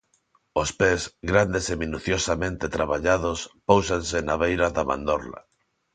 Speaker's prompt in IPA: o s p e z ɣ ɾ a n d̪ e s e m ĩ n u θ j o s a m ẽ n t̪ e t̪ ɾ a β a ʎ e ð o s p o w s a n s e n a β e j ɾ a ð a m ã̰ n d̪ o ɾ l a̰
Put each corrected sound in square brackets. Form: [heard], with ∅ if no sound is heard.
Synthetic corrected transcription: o s p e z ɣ ɾ a n d̪ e s e m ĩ n u θ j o s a m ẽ n t̪ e t̪ ɾ a β a ʎ [a] ð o s p o w s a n s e n a β e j ɾ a ð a m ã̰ n d̪ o ɾ l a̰

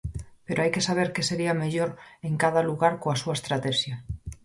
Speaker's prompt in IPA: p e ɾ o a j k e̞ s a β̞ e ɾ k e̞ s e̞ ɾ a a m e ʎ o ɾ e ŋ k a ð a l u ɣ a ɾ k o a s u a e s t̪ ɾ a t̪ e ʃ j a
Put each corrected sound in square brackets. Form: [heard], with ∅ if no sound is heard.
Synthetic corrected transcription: p e ɾ o a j k e̞ s a β̞ e ɾ k e̞ s e̞ ɾ [i] a m e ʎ o ɾ e ŋ k a ð a l u ɣ a ɾ k o a s u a e s t̪ ɾ a t̪ e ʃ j a

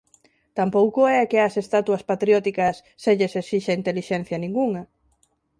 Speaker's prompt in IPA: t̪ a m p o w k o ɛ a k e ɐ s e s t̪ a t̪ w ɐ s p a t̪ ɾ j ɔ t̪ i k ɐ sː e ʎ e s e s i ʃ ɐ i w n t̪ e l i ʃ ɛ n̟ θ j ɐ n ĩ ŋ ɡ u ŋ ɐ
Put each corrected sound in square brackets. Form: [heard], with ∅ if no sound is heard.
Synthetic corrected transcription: t̪ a m p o w k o ɛ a k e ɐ s e s t̪ a t̪ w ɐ s p a t̪ ɾ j ɔ t̪ i k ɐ sː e ʎ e s e s i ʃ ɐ i [∅] n t̪ e l i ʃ ɛ n̟ θ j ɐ n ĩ ŋ ɡ u ŋ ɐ

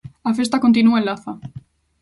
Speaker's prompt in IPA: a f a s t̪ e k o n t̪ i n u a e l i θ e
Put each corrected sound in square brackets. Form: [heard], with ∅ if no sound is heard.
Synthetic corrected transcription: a f [e] s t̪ [a] k o n t̪ i n u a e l [a] θ [a]

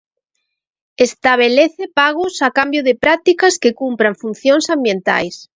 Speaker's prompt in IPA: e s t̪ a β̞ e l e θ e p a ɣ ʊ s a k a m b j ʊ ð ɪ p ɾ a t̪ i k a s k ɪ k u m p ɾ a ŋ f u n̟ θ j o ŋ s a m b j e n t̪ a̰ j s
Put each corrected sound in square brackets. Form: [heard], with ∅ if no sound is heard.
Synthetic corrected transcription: e s t̪ a β̞ e l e θ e p a ɣ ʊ s a k a m b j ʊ ð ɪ p ɾ a t̪ i k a s k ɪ k u m p ɾ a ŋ f u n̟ θ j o ŋ s a m b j e n t̪ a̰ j s

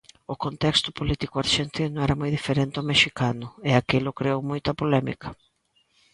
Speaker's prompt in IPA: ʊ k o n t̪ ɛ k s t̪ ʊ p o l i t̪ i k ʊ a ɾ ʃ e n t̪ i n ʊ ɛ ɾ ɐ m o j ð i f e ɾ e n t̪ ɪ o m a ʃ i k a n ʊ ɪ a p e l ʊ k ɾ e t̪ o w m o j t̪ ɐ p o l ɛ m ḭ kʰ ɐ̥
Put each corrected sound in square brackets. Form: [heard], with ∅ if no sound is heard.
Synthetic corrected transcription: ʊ k o n t̪ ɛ k s t̪ ʊ p o l i t̪ i k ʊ a ɾ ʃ e n t̪ i n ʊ ɛ ɾ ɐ m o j ð i f e ɾ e n t̪ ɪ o m [e] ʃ i k a n ʊ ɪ a [k] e l ʊ k ɾ e [∅] o w m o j t̪ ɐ p o l ɛ m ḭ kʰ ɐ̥

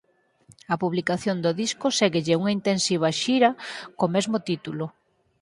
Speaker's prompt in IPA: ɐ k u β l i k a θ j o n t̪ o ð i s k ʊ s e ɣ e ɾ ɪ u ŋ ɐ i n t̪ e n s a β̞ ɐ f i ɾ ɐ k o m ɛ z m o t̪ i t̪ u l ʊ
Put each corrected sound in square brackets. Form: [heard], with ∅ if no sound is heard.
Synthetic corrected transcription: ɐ [p] u β l i k a θ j o n [d̪] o ð i s k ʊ s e ɣ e [ʎ] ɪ u ŋ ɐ i n t̪ e n s [i] β̞ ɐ [ʃ] i ɾ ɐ k o m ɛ z m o t̪ i t̪ u l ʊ

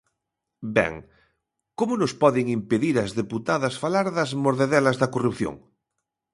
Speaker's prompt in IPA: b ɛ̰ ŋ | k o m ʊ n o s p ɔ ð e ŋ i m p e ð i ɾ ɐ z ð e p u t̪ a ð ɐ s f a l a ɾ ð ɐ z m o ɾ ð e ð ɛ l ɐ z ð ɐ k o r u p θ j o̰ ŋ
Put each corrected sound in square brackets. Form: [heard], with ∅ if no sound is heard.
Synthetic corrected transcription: b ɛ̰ ŋ | k o m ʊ n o s p ɔ ð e ŋ i m p e ð i ɾ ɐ z ð e p u t̪ a ð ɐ s f a l a ɾ ð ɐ z m o ɾ ð e ð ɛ l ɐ z ð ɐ k o r u p θ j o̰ ŋ

